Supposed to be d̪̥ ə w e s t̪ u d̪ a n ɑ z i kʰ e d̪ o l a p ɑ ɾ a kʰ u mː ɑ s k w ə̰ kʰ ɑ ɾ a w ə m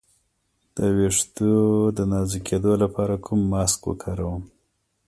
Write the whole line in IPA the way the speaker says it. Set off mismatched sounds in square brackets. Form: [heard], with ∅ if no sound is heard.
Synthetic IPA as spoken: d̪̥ ə w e [ʂ] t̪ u d̪ [ə] n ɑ z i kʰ e d̪ o l a p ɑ ɾ a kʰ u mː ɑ s k w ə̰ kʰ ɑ ɾ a w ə m